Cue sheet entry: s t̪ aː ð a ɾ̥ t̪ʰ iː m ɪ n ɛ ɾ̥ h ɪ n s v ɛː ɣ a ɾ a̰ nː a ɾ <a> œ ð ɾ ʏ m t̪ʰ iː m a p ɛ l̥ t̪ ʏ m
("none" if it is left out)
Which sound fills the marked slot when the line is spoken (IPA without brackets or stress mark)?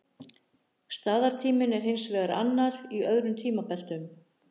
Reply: i